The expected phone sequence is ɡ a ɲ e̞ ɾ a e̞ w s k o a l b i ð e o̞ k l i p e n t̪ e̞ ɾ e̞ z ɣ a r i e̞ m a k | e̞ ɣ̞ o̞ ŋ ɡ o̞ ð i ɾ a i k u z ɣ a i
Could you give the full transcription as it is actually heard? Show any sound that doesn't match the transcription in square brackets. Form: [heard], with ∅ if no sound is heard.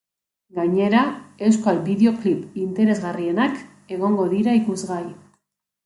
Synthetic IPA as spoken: ɡ a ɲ e̞ ɾ a e̞ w s k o a l b i ð e o̞ k l i p [i] n t̪ e̞ ɾ e̞ z ɣ a r i e̞ [n] a k | e̞ ɣ̞ o̞ ŋ ɡ o̞ ð i ɾ a i k u z ɣ a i